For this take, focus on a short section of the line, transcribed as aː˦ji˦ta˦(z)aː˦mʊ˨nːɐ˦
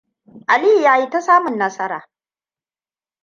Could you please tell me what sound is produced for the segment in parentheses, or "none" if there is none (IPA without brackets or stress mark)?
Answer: s